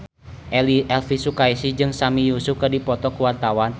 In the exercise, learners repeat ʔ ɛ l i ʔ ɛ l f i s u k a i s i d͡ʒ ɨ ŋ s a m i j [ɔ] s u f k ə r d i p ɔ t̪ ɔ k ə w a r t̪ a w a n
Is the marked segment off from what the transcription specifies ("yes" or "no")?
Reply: yes